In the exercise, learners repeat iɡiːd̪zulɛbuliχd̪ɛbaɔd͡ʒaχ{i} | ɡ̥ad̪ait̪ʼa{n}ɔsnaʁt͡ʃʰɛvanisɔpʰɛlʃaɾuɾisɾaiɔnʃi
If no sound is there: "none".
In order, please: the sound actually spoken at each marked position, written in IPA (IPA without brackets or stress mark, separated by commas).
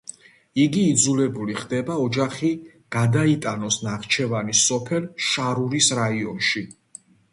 i, n